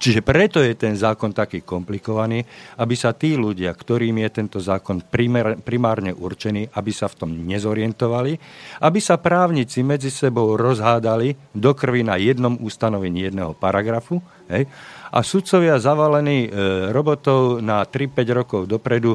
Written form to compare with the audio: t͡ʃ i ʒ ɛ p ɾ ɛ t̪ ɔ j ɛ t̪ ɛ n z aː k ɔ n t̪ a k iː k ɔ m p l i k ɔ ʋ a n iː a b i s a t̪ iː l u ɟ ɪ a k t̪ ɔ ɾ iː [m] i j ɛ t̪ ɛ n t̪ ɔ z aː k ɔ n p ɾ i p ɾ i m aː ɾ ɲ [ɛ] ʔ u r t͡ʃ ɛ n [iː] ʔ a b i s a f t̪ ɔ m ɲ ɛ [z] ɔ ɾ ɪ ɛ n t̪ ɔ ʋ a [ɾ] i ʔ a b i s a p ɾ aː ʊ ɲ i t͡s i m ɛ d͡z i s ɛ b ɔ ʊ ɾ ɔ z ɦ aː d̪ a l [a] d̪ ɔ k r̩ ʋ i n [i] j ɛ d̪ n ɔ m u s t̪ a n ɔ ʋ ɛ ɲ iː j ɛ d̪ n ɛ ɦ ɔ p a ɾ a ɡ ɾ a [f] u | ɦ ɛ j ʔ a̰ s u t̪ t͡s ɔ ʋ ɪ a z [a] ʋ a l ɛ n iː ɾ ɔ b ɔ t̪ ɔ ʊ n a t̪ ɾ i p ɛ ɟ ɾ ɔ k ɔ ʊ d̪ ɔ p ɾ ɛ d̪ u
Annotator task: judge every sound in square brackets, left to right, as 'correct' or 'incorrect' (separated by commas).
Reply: correct, correct, correct, correct, incorrect, incorrect, incorrect, correct, correct